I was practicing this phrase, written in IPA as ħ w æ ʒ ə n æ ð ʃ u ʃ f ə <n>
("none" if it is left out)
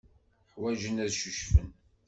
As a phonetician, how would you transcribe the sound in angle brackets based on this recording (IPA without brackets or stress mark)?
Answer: n